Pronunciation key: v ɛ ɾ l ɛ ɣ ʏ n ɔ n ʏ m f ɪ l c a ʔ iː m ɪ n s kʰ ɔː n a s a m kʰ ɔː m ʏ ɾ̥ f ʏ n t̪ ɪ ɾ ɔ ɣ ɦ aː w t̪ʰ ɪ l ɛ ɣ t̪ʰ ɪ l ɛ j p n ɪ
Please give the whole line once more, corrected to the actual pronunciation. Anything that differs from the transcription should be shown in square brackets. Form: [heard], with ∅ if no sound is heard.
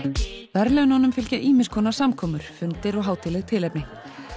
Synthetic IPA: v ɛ ɾ l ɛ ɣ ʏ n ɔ n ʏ m f ɪ l c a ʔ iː m ɪ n s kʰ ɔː n a s a m kʰ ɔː m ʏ ɾ̥ f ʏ n t̪ ɪ ɾ ɔ ɣ ɦ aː w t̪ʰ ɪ l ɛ ɣ t̪ʰ ɪ l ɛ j p n ɪ